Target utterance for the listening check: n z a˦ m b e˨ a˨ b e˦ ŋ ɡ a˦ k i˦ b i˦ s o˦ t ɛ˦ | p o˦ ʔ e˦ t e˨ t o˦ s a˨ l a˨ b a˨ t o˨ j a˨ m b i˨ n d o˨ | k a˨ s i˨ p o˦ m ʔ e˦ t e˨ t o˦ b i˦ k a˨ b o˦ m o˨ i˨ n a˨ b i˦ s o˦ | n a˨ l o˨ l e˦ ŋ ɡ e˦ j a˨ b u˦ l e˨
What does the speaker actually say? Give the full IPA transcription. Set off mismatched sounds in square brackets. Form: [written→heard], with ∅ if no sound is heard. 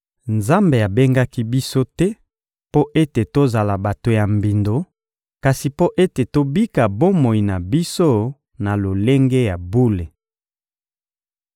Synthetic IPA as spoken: n z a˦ m b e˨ a˨ b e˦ ŋ ɡ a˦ k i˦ b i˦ s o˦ t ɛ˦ | p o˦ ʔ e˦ t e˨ t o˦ [s→z] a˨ l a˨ b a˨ t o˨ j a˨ m b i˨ n d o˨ | k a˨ s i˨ p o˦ [m→∅] ʔ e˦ t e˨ t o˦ b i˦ k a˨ b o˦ m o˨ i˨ n a˨ b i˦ s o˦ | n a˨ l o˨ l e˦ ŋ ɡ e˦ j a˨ b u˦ l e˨